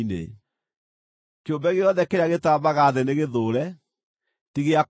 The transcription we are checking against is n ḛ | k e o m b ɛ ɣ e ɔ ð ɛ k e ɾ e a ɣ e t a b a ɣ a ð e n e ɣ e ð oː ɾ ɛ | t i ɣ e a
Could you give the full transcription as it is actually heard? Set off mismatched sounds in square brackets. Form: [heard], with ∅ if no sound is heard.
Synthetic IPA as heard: n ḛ | k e o m b ɛ ɣ e ɔ ð ɛ k e ɾ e a ɣ e t a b a ɣ a ð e n e ɣ e ð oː ɾ ɛ | t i ɣ e a